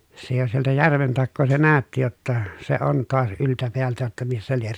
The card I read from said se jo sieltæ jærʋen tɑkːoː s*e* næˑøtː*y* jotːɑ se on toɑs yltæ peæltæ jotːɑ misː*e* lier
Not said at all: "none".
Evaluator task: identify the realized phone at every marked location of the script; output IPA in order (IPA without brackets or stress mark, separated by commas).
e, i, æ